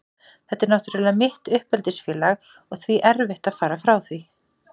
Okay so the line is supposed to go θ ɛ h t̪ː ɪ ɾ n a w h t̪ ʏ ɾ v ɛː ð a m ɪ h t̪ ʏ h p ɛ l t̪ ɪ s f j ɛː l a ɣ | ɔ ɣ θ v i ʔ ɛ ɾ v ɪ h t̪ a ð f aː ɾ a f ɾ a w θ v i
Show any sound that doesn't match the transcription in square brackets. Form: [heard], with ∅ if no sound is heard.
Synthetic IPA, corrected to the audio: θ ɛ h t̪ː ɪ ɾ n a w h t̪ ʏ ɾ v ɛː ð a m ɪ h t̪ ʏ h p ɛ l t̪ ɪ s f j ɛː l a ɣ | ɔ ɣ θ v i ʔ ɛ ɾ v ɪ h t̪ a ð f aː ɾ a f ɾ a w θ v i